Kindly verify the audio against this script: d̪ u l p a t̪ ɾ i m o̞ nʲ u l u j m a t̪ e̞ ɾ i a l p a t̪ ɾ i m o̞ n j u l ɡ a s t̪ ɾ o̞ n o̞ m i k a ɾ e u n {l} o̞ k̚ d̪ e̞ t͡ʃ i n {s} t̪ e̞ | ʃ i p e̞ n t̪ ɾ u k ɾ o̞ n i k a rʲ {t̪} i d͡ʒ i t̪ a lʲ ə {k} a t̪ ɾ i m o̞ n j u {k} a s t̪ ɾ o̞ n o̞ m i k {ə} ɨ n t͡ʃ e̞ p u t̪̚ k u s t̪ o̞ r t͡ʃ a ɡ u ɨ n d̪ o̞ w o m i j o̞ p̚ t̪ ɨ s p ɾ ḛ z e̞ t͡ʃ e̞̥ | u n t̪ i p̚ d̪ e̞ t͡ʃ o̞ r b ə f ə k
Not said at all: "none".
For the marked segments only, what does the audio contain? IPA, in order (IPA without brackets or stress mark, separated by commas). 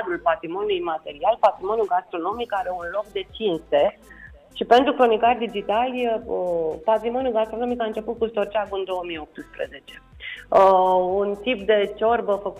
l, s, d̪, p, ɡ, a